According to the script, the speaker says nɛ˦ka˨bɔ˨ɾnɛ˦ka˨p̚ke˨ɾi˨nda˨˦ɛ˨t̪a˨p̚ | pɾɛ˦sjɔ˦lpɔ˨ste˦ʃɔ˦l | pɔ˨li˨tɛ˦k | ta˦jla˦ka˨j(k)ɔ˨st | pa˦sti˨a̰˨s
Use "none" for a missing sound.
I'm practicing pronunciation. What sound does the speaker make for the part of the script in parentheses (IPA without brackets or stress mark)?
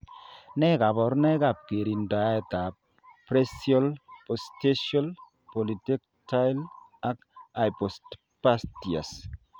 p